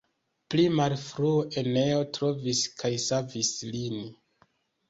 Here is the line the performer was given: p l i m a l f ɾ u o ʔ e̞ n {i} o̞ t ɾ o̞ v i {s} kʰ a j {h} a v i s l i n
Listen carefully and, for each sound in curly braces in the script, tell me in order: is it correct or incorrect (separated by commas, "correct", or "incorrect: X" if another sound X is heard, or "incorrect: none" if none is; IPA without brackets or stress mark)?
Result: incorrect: e, correct, incorrect: s